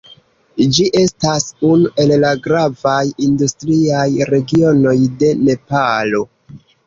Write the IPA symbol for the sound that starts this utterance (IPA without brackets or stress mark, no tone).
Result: d͡ʒ